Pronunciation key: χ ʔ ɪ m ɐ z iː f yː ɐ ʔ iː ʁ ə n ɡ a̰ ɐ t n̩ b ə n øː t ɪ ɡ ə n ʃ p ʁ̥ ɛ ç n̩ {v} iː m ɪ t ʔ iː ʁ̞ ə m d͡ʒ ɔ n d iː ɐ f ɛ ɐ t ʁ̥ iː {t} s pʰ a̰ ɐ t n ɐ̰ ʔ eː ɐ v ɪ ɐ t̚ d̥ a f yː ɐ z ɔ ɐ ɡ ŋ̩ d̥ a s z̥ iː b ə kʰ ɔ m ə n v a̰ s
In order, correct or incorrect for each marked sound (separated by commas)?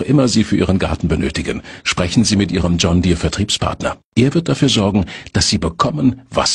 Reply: incorrect, incorrect